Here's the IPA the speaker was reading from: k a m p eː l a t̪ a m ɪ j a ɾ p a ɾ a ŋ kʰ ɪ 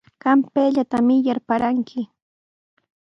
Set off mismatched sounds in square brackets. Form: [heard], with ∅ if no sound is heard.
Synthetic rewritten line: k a m p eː [ʎ] a t̪ a m ɪ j a ɾ p a ɾ a ŋ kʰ ɪ